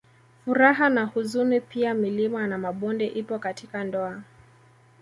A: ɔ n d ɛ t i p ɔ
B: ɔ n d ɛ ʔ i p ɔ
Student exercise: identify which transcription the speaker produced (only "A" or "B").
B